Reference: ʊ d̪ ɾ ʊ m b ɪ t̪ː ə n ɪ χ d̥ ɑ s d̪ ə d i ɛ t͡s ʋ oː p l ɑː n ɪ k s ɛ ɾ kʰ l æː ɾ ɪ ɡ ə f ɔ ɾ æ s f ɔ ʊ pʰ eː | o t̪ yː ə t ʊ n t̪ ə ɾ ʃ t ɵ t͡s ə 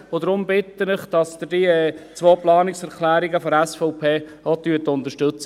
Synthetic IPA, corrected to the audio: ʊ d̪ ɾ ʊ m b ɪ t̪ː ə n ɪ χ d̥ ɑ s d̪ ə d i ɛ t͡s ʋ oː p l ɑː n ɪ k s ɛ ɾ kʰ l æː ɾ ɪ ɡ ə f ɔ ɾ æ s f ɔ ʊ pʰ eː | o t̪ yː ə t ʊ n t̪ ə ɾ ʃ t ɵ t͡s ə